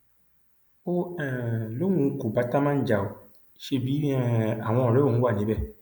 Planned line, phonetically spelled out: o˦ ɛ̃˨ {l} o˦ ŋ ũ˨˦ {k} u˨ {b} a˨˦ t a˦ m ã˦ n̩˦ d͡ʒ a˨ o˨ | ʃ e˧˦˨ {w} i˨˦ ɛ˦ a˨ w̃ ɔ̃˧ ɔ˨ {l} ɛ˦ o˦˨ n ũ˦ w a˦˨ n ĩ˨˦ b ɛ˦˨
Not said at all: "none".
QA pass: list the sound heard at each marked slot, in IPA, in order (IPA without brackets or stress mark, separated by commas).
l, k, b, b, ɾ